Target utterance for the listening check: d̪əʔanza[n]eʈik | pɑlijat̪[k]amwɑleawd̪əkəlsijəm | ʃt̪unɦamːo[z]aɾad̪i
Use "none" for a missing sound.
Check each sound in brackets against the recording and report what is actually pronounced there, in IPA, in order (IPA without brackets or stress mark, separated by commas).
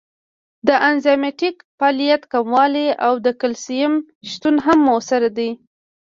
m, k, s